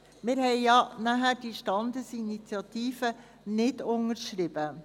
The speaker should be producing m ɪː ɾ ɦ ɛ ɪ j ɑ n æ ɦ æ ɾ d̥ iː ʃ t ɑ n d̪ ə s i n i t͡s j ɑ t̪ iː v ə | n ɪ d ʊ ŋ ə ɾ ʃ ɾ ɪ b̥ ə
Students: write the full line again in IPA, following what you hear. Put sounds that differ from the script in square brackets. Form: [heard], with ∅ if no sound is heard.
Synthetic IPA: m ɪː ɾ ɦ ɛ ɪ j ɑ n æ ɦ æ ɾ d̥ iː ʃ t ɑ n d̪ ə s i n i t͡s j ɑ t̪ iː [f] ə | n ɪ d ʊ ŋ ə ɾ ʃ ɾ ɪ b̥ ə